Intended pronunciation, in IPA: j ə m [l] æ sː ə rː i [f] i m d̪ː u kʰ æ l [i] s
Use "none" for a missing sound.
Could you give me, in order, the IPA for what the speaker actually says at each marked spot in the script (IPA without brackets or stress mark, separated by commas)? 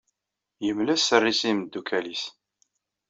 l, s, i